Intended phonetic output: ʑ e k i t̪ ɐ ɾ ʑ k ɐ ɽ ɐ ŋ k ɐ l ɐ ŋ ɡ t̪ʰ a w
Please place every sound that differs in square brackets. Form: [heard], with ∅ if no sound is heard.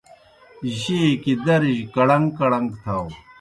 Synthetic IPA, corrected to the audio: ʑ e k i [d̪] ɐ ɾ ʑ k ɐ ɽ ɐ ŋ k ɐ [ɽ] ɐ ŋ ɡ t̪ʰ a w